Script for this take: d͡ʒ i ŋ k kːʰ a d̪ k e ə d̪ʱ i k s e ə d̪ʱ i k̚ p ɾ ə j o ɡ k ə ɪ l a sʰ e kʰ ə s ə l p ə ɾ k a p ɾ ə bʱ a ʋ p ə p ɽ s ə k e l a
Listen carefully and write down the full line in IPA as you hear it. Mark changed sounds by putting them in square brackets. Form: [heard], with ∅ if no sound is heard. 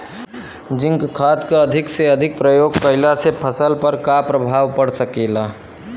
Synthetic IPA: d͡ʒ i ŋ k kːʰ a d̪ k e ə d̪ʱ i k s e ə d̪ʱ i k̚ p ɾ ə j o ɡ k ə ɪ l a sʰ e [pʰ] ə s ə l p ə ɾ k a p ɾ ə bʱ a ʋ p ə [∅] ɽ s ə k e l a